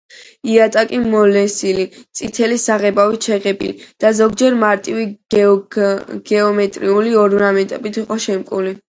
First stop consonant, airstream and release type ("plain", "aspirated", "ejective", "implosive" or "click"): ejective